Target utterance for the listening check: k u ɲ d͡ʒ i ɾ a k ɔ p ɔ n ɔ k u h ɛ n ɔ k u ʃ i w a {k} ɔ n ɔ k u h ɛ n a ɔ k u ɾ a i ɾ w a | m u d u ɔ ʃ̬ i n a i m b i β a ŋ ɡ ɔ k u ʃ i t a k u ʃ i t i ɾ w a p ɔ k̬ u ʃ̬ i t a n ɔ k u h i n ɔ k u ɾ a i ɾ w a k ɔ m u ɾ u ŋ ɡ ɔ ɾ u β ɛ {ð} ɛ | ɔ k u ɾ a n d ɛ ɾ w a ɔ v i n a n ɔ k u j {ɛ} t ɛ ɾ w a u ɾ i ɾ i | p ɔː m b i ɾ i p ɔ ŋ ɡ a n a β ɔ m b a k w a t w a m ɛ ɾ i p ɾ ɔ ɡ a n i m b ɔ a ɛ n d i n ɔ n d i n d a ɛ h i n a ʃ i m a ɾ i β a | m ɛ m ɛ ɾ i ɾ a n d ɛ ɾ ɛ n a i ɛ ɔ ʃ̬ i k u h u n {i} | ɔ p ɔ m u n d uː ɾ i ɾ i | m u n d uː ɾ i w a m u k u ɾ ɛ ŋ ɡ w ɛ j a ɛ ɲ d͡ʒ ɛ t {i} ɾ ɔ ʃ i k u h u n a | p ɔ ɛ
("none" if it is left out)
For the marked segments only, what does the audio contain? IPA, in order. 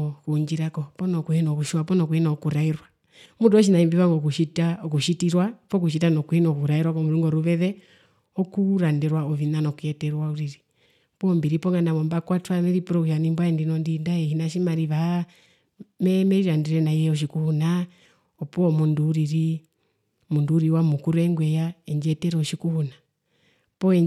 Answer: p, ð, ɛ, a, ɛ

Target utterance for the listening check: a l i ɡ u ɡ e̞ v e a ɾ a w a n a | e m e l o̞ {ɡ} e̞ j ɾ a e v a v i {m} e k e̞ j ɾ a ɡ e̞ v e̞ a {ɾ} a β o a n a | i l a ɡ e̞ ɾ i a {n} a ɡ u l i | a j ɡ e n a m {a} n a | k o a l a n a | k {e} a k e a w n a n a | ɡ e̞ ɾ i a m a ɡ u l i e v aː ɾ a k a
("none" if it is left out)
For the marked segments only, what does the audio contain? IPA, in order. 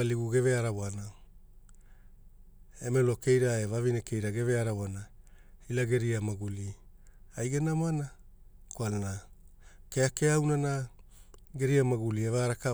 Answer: k, n, ɾ, m, a, e

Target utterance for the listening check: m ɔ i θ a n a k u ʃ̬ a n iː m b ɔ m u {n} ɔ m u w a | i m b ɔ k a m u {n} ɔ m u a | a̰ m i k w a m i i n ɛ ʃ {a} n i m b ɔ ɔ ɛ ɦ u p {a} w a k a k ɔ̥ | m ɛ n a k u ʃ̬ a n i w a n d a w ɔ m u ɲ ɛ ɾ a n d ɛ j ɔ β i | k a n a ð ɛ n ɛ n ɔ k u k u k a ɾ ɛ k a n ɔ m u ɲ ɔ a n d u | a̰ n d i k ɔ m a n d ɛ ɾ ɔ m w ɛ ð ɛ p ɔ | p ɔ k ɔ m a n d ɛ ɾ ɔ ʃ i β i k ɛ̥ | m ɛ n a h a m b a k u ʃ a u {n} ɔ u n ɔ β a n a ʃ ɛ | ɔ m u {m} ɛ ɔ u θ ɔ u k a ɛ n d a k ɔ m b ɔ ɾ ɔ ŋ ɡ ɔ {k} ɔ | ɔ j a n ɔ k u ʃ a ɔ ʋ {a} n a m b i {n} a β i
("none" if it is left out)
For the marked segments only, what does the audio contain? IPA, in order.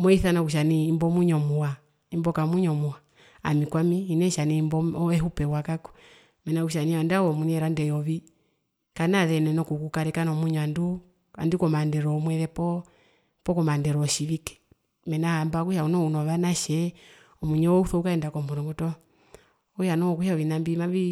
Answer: ɲ, ɲ, a, ɛ, n, ɲ, t, i, m

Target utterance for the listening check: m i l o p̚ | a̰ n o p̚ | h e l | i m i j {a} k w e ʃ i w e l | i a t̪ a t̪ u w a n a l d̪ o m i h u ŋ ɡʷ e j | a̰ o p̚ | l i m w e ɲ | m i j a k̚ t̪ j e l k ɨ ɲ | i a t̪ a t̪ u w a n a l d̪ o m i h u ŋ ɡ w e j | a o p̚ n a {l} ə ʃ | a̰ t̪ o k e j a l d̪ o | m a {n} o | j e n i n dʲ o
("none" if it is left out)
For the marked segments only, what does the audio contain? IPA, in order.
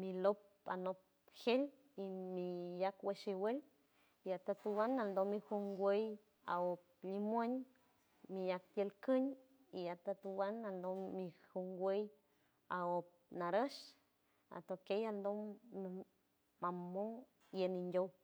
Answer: a, ɾ, m

